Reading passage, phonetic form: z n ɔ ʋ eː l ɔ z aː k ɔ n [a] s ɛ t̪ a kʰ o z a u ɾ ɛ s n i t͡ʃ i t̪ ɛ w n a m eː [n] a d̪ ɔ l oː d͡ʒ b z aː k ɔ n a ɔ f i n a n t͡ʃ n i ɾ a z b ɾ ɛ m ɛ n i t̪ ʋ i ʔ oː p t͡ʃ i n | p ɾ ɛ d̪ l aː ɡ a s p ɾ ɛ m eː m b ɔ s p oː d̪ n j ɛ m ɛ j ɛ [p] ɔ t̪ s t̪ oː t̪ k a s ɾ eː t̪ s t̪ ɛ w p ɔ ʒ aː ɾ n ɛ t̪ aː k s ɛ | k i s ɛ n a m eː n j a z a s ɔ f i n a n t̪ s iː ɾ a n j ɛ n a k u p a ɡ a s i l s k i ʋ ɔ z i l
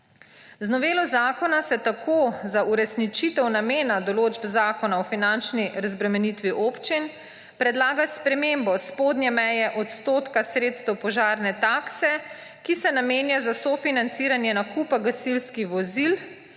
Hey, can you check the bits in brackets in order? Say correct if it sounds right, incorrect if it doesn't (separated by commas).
correct, correct, incorrect